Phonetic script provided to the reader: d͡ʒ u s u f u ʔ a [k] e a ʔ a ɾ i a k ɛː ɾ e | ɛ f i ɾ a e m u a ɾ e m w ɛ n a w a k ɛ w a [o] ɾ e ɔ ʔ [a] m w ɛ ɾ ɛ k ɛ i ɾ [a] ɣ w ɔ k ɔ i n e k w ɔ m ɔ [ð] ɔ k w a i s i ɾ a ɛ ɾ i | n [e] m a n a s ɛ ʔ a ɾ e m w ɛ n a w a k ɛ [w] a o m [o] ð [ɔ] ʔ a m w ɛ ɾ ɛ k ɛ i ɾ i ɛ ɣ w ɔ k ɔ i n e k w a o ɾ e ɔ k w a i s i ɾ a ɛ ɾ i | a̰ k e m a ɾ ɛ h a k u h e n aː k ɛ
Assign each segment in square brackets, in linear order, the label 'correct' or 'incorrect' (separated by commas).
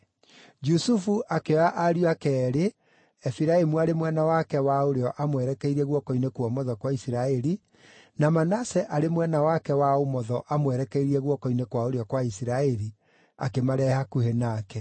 correct, correct, correct, incorrect, correct, incorrect, correct, incorrect, correct